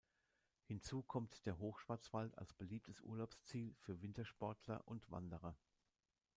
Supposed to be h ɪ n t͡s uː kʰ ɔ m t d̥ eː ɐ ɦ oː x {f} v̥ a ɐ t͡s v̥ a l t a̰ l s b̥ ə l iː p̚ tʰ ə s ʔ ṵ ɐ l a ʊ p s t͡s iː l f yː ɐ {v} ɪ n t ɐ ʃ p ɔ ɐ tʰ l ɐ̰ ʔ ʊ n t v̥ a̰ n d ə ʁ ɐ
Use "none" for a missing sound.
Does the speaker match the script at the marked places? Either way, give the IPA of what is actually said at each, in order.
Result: ʃ, v

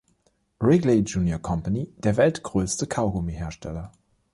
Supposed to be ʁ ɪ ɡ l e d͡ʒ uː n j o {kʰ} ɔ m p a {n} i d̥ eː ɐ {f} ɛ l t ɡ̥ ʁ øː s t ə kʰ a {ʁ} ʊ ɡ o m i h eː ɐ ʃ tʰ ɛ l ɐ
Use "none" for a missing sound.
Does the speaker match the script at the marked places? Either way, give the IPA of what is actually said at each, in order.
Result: kʰ, n, v, none

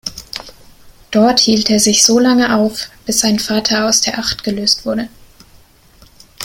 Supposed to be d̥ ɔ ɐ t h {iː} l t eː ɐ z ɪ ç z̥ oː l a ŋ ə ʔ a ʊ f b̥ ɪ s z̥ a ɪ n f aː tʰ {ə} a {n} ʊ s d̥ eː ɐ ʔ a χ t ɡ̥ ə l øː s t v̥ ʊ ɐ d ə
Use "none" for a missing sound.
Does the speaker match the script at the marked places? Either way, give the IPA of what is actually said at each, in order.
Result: iː, ɐ, none

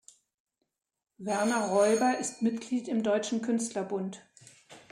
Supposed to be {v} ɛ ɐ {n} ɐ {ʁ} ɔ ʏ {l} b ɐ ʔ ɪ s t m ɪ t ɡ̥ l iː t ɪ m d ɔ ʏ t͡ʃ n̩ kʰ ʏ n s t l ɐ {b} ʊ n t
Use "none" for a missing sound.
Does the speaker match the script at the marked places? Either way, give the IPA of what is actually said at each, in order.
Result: v, n, ʁ, none, b

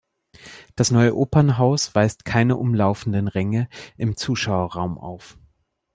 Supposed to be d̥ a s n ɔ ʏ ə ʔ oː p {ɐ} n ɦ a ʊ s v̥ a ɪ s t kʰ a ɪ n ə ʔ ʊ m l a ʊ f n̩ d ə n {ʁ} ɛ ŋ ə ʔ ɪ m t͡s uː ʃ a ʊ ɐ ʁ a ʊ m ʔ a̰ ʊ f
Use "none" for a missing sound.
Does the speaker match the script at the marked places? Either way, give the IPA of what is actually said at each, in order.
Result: ɐ, ʁ

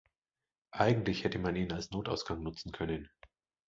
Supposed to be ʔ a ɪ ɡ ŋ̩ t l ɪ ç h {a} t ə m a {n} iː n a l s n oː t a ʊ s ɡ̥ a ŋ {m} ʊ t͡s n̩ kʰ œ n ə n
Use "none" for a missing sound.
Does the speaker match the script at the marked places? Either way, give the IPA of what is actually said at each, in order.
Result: ɛ, n, n

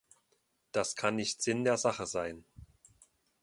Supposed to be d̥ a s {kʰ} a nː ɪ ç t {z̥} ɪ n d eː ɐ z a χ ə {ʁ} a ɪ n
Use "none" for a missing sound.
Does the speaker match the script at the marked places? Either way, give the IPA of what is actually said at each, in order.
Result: kʰ, z̥, z

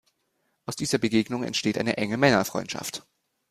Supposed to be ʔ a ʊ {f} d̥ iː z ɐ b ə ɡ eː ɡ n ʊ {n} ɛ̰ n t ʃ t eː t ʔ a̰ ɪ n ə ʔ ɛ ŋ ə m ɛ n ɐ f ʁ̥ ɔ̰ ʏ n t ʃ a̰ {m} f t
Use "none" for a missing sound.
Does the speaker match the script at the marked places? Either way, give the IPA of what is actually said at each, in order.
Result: s, ŋ, none

